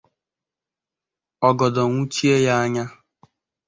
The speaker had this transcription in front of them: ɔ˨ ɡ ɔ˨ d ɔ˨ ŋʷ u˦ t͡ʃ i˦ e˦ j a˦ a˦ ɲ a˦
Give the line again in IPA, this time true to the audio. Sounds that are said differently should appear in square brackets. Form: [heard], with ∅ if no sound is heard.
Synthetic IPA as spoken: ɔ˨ ɡ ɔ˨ d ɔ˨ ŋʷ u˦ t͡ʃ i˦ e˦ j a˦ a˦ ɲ a˦